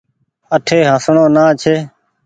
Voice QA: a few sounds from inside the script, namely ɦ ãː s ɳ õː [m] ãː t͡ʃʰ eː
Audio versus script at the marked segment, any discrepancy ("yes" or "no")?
yes